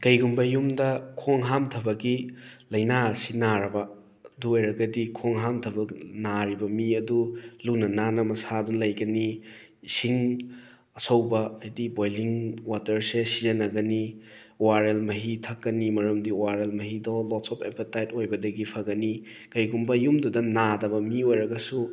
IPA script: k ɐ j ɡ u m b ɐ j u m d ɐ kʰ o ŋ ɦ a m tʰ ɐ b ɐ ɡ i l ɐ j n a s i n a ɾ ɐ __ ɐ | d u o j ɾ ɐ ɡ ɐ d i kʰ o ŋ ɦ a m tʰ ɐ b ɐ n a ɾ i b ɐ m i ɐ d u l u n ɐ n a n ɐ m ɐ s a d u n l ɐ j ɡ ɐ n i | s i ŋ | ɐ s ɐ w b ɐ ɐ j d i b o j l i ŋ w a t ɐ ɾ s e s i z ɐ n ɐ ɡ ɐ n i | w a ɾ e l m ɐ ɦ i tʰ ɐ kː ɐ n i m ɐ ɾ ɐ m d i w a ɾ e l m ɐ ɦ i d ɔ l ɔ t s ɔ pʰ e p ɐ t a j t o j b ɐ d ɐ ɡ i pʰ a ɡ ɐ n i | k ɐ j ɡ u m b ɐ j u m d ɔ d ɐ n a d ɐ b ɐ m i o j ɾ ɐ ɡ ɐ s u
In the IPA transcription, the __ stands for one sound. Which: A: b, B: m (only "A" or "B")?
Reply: A